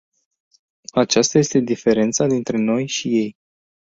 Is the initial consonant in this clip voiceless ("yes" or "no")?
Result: yes